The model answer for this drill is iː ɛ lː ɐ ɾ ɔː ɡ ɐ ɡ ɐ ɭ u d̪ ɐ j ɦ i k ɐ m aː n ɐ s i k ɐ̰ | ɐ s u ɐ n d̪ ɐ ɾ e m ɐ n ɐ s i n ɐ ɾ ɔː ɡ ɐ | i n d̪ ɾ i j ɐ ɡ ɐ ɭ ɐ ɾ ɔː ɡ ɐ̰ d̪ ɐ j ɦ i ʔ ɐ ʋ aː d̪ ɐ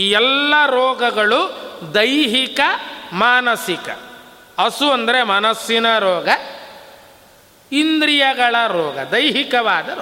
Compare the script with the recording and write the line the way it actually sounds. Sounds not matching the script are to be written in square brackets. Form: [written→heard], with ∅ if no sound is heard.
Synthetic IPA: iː ɛ lː ɐ ɾ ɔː ɡ ɐ ɡ ɐ ɭ u d̪ ɐ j ɦ i k ɐ m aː n ɐ s i k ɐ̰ | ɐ s u ɐ n d̪ ɐ ɾ e m ɐ n ɐ s i n ɐ ɾ ɔː ɡ ɐ | i n d̪ ɾ i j ɐ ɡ ɐ ɭ ɐ ɾ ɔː ɡ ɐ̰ d̪ ɐ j ɦ i [ʔ→k] ɐ ʋ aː d̪ ɐ